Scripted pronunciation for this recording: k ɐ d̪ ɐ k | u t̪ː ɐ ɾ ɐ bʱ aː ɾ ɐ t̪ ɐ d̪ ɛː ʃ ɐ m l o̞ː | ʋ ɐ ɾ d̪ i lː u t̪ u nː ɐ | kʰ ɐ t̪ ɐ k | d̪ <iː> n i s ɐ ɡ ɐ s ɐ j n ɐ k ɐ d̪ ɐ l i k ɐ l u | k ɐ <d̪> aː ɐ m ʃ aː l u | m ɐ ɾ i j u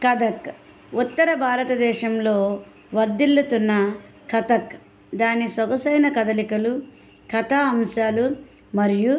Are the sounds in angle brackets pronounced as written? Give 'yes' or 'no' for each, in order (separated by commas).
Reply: no, no